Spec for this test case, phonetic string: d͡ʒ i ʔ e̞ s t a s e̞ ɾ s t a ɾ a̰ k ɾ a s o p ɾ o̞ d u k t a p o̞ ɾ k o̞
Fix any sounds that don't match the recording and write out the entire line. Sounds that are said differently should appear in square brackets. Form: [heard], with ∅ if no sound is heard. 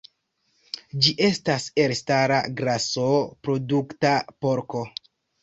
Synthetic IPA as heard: d͡ʒ i ʔ e̞ s t a s e̞ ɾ s t a ɾ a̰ [ɡ] ɾ a s o p ɾ o̞ d u k t a p o̞ ɾ k o̞